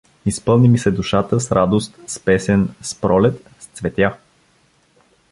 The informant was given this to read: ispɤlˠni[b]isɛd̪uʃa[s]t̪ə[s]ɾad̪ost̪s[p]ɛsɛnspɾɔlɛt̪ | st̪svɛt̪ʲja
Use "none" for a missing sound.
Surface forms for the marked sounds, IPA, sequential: m, none, s, p

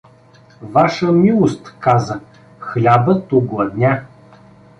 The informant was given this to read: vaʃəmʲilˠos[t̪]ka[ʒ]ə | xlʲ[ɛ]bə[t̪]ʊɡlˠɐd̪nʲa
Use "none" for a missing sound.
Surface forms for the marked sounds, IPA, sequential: t̪, z, a, t̪

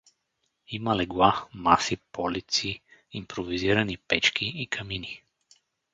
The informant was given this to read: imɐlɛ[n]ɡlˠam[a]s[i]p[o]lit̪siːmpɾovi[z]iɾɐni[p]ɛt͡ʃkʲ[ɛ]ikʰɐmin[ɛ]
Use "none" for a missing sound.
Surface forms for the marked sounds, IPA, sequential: none, a, i, ɔ, z, p, i, i

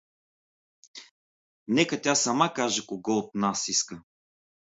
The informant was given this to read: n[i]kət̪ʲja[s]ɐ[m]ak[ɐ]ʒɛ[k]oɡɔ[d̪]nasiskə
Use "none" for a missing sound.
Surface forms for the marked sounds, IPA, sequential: ɛ, s, m, a, k, t̪

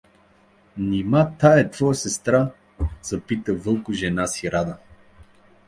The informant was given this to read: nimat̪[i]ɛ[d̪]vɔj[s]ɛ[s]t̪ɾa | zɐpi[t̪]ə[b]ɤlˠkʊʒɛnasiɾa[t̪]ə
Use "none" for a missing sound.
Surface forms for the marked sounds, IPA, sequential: a, t̪, s, s, t̪, v, d̪

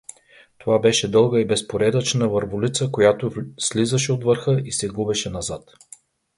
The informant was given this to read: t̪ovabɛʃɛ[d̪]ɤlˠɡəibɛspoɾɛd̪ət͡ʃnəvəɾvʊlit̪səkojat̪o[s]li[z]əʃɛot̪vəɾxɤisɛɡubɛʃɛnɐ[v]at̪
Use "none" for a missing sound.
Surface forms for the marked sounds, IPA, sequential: d̪, s, z, z

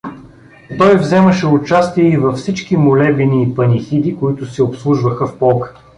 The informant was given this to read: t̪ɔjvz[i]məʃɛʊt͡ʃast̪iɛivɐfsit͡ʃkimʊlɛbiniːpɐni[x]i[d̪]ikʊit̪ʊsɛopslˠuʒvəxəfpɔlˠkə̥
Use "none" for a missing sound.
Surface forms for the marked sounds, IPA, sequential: ɛ, x, d̪

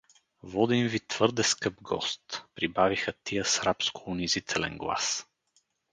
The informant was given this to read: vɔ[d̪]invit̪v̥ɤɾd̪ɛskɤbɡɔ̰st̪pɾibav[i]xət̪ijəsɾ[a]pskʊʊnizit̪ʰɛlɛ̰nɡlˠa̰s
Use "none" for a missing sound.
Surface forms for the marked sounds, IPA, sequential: d̪, i, a

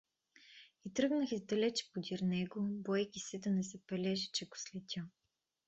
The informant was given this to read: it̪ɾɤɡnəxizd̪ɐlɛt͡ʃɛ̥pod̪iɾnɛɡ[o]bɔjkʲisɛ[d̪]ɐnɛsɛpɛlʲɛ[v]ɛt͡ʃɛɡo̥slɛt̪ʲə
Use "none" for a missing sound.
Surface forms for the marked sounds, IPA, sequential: o, d̪, ʒ

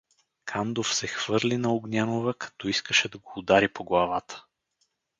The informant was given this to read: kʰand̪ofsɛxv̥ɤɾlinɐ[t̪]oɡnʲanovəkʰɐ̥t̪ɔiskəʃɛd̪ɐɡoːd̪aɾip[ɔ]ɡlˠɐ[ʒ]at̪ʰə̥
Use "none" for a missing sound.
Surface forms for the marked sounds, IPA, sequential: none, o, v

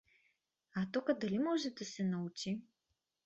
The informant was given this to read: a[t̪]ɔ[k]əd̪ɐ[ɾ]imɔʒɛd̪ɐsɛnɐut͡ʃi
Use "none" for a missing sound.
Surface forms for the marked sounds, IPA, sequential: t̪, k, l

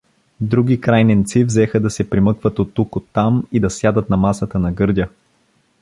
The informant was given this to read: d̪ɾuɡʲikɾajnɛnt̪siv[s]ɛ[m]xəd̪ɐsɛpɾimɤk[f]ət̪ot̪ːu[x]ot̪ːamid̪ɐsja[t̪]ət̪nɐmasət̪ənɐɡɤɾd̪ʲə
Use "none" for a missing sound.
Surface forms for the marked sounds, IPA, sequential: z, none, v, k, d̪

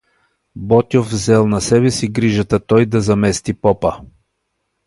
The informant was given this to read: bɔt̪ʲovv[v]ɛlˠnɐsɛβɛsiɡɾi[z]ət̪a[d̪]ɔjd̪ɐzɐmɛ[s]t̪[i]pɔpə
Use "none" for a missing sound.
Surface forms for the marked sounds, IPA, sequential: z, ʒ, t̪, s, i

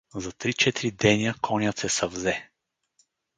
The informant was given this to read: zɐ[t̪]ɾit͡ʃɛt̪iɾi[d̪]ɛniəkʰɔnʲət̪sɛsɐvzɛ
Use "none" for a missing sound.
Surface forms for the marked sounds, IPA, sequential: t̪, d̪

